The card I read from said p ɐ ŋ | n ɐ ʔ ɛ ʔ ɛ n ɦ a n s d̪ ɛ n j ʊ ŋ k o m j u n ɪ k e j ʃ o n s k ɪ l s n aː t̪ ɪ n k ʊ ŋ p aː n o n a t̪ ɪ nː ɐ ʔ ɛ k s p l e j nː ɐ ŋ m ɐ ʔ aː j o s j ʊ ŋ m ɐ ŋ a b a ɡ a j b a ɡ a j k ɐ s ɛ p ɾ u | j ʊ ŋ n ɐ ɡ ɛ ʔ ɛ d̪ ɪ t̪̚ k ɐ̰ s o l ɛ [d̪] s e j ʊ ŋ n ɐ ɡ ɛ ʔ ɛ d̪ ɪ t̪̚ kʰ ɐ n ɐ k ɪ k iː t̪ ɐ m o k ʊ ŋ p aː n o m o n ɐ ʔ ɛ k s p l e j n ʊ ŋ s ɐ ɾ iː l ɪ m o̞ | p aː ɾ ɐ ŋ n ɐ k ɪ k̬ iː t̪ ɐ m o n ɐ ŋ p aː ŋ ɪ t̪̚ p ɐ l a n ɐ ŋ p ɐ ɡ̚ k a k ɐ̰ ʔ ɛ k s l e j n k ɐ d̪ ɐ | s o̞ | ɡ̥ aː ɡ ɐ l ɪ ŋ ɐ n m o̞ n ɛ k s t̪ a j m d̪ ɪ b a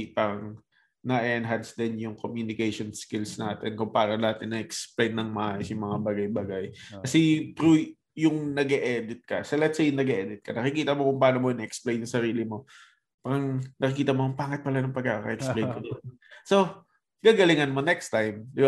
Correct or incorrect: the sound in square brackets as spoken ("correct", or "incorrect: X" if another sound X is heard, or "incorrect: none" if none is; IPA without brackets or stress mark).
incorrect: t̪